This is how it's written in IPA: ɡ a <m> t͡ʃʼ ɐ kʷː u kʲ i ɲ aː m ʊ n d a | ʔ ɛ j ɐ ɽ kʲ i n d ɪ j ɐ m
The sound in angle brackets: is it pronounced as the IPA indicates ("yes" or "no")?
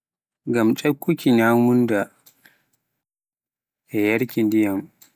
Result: yes